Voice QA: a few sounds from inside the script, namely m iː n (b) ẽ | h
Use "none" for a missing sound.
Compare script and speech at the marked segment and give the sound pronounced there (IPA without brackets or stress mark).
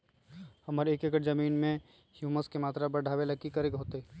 m